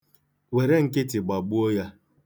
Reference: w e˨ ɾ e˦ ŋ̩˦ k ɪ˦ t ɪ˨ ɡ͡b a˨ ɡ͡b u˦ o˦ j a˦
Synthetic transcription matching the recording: w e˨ ɾ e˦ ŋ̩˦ k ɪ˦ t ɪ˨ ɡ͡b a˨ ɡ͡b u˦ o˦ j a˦